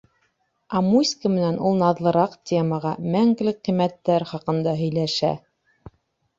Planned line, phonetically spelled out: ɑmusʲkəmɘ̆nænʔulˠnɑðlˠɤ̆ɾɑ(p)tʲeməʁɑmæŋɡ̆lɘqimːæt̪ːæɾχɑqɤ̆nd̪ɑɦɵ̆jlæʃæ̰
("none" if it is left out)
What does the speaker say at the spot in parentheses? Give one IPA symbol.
q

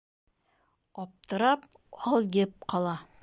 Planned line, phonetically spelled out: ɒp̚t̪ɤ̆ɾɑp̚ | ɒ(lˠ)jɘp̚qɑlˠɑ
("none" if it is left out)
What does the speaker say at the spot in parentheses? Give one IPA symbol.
lˠ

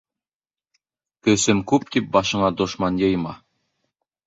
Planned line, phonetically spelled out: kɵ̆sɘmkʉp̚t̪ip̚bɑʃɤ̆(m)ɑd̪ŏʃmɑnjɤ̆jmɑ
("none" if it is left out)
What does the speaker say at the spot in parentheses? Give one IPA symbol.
ɴ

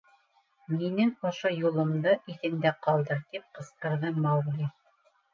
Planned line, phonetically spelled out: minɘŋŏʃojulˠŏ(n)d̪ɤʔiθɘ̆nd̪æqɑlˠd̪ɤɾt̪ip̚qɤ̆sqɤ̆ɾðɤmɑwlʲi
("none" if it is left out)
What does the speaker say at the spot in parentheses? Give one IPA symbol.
m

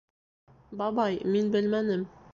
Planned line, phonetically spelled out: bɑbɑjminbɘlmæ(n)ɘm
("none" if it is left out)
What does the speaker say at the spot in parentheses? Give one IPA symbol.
n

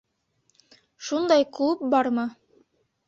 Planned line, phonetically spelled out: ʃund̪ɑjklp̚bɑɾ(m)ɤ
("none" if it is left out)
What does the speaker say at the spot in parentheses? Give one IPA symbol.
m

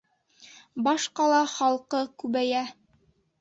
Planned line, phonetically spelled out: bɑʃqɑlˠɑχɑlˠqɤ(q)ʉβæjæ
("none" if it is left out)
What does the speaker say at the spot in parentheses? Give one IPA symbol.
k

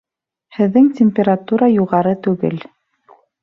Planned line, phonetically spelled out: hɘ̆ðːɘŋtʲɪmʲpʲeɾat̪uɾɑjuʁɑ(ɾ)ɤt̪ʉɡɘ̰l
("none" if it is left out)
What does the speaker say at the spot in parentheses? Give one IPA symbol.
ɾ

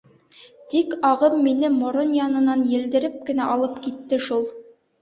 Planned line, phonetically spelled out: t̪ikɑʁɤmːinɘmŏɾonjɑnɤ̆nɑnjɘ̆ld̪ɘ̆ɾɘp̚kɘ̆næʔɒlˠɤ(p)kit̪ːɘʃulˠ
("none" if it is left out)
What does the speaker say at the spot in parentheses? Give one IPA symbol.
p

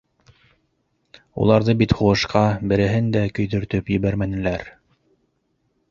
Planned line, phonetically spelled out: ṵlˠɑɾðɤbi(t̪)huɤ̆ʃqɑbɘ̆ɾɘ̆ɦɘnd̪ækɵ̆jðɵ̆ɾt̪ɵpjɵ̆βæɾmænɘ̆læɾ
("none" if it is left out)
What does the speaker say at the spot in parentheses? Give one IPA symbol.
t̪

